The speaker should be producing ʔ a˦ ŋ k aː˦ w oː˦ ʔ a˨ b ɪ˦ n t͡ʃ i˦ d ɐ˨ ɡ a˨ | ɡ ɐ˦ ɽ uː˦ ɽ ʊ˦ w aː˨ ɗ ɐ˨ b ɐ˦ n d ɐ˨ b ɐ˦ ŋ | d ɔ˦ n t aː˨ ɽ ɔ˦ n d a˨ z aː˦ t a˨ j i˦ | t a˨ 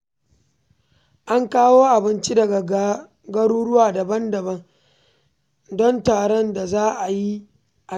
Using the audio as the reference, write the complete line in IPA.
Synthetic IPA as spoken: ʔ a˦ ŋ k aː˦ w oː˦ ʔ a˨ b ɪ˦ n t͡ʃ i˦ d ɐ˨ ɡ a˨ | ɡ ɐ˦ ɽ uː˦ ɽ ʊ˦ w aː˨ d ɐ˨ b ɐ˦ n d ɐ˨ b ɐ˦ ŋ | d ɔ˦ n t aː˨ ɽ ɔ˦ n d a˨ z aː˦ ʔ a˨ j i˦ | ʔ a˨